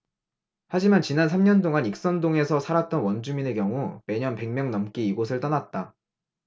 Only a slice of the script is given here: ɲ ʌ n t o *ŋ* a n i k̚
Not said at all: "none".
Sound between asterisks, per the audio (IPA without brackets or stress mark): ŋ